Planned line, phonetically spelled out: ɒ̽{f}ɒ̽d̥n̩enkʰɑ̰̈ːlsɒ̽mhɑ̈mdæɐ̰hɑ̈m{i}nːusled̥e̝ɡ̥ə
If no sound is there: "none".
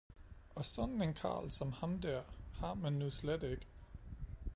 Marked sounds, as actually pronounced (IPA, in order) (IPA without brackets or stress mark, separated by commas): s, æ